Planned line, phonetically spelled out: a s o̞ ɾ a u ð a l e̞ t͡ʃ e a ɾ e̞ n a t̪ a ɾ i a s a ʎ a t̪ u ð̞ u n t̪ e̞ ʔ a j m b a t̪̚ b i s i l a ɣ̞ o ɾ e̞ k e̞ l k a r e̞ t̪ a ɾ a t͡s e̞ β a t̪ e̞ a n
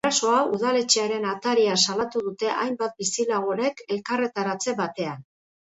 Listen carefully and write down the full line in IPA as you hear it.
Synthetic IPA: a s o̞ a u ð a l e̞ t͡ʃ e a ɾ e̞ n a t̪ a ɾ i a s a l a t̪ u ð̞ u t̪ e̞ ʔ a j m b a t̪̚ b i s i l a ɣ̞ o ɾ e̞ k e̞ l k a r e̞ t̪ a ɾ a t͡s e̞ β a t̪ e̞ a n